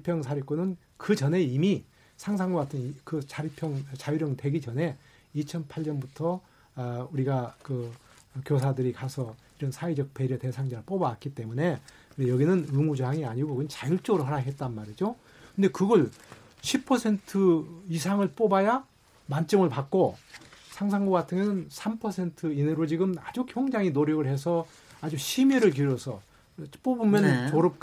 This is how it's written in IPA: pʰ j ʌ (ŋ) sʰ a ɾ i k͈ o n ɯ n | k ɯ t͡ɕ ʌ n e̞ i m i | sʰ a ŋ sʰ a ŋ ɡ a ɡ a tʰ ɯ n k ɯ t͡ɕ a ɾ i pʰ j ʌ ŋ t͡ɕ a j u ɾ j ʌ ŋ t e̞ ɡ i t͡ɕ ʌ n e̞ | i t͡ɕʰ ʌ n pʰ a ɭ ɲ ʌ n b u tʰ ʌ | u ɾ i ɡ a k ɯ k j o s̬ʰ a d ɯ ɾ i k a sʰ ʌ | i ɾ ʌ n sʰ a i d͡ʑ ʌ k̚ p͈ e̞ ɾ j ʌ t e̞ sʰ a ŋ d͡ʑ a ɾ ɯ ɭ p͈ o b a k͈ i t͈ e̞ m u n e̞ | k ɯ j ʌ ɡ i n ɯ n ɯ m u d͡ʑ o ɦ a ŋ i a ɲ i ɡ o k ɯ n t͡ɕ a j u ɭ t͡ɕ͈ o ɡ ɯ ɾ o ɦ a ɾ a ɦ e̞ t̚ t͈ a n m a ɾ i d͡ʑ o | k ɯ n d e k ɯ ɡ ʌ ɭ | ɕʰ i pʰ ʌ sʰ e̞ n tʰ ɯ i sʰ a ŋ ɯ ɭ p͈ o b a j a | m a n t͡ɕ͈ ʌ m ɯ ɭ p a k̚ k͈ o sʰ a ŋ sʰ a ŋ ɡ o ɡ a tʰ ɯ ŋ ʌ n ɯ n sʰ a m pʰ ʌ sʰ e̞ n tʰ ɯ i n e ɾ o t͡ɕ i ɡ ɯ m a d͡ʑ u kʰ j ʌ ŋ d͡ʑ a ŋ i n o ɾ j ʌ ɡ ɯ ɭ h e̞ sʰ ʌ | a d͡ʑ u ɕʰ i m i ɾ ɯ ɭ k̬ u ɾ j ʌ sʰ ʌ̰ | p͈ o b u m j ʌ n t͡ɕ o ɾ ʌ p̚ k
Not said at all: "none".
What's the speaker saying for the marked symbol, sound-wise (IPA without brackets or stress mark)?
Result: ŋ